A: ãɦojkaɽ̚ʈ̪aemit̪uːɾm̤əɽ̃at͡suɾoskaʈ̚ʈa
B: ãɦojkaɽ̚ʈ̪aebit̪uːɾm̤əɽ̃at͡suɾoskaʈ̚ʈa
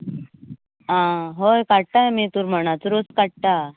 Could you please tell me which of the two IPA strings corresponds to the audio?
A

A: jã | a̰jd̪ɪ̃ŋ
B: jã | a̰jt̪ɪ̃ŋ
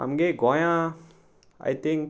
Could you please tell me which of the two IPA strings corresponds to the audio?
B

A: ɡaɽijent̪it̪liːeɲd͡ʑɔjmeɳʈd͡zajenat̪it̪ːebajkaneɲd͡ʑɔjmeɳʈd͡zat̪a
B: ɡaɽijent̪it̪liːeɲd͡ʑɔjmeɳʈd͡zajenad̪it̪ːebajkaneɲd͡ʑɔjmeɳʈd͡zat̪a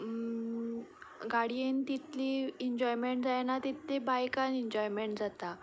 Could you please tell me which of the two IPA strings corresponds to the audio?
A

